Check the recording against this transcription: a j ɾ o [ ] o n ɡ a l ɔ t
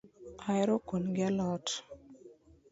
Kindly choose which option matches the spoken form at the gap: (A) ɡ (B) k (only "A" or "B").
B